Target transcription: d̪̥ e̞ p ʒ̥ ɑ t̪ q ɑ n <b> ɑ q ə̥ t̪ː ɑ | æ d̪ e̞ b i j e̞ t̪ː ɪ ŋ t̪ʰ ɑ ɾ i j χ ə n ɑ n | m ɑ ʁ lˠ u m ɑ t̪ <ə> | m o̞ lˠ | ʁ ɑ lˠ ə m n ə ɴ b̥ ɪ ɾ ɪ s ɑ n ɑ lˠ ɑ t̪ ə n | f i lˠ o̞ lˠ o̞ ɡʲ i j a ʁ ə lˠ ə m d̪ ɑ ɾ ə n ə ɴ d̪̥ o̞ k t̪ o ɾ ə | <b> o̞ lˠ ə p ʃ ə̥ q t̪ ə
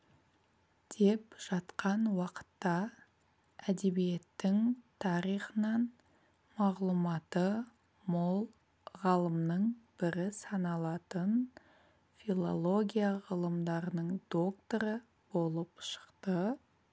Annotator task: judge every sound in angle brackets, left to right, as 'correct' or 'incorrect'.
incorrect: w, correct, correct

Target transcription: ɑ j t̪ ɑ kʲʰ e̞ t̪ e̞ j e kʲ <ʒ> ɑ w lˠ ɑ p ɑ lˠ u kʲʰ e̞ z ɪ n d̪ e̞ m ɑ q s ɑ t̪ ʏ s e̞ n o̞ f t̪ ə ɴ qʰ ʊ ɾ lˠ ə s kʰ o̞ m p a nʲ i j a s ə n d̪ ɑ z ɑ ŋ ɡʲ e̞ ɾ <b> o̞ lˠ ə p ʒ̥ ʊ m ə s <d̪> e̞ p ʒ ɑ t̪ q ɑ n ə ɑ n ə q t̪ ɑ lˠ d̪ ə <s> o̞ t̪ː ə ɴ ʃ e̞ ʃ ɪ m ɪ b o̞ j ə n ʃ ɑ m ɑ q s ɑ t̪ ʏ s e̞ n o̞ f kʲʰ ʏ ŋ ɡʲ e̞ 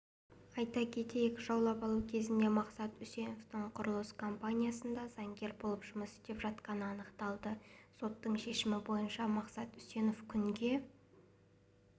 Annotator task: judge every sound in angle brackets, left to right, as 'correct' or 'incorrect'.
correct, correct, incorrect: t̪, correct

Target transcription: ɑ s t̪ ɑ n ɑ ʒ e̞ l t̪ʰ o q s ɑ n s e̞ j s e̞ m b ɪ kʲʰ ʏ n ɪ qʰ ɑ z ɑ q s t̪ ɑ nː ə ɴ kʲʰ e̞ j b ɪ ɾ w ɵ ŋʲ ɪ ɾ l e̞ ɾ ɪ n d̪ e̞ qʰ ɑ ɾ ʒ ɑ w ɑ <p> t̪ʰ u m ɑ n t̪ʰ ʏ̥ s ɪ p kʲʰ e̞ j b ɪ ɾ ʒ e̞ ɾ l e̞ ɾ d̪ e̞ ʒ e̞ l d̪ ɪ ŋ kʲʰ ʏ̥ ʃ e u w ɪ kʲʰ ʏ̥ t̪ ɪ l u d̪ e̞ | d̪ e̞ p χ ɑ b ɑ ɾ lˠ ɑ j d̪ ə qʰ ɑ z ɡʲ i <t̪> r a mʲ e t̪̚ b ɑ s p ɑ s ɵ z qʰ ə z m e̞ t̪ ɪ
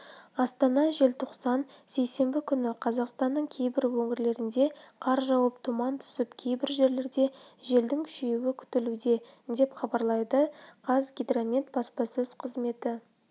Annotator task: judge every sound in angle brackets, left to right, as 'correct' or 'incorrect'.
correct, incorrect: d̪

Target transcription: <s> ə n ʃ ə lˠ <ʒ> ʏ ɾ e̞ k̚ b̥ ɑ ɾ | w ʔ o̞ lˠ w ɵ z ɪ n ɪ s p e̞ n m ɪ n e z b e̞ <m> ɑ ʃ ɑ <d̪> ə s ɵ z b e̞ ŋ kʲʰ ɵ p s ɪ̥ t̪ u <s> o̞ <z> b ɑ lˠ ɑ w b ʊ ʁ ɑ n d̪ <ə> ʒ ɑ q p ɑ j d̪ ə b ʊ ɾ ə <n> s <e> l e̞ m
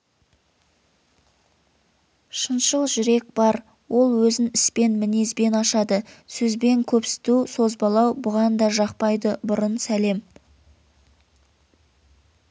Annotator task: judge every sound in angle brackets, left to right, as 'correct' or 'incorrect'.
incorrect: ʃ, correct, incorrect: n, correct, correct, correct, incorrect: ɑ, correct, incorrect: æ

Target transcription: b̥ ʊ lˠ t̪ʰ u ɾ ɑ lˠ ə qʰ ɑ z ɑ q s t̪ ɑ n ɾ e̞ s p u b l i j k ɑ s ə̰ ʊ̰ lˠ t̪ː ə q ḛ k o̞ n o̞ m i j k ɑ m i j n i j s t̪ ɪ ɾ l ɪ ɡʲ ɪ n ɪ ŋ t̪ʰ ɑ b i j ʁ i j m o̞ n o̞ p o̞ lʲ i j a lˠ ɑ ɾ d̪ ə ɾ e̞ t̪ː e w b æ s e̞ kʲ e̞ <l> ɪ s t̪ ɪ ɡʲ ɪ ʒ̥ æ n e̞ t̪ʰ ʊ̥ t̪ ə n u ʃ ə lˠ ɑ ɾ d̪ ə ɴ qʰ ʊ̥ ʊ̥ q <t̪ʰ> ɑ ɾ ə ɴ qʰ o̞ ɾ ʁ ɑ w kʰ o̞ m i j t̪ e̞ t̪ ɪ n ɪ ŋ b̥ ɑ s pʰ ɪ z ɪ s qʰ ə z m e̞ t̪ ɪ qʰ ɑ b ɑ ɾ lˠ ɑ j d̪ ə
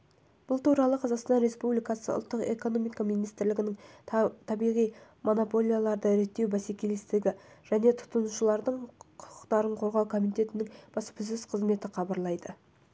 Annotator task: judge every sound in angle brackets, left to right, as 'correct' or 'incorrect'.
correct, incorrect: t̪

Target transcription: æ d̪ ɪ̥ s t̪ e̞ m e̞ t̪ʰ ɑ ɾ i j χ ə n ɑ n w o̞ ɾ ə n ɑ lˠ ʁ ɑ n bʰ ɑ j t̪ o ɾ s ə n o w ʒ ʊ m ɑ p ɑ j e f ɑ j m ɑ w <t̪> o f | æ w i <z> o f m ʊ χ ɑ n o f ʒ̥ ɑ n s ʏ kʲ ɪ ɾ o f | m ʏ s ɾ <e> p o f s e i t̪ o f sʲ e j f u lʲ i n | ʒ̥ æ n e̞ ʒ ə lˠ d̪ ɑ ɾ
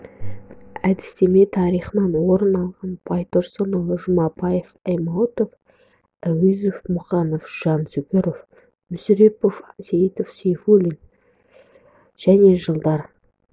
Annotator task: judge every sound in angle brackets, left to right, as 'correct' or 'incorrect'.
correct, correct, correct

